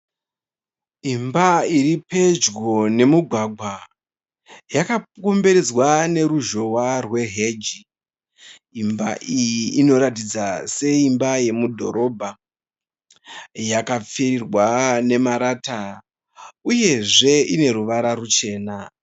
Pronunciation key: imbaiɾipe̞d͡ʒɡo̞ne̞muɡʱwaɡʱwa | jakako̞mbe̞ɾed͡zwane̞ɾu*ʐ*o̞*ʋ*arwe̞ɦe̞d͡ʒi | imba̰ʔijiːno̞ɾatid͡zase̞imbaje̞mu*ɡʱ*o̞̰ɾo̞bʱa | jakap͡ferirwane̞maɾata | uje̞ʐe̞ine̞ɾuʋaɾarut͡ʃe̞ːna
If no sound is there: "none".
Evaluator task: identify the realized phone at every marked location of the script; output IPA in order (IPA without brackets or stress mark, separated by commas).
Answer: ʒ, w, dʱ